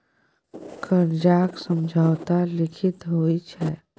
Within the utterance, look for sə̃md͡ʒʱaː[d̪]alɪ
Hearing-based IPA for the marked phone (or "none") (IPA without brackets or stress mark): t̪